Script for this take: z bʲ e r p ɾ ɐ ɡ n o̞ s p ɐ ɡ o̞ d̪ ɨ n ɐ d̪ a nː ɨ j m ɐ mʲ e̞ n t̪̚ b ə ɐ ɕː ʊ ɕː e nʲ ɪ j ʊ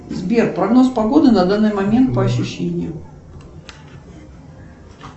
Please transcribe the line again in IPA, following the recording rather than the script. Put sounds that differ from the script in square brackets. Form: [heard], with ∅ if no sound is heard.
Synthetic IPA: z bʲ e r p ɾ ɐ ɡ n o̞ s p ɐ ɡ o̞ d̪ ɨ n ɐ d̪ a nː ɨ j m ɐ mʲ e̞ n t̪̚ [p] ə ɐ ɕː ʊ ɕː e nʲ ɪ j ʊ